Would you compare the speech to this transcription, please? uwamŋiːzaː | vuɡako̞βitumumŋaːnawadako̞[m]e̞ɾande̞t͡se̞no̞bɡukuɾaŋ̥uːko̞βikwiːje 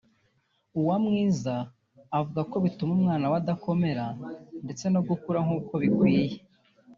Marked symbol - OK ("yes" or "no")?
yes